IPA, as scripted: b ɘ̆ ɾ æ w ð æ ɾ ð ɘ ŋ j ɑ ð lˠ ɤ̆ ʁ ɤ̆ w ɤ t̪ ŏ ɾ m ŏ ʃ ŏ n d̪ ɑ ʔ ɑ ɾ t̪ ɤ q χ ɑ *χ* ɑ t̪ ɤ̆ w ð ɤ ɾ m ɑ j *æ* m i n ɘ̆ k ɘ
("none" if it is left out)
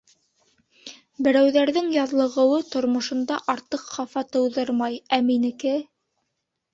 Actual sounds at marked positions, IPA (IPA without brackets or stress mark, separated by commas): f, æ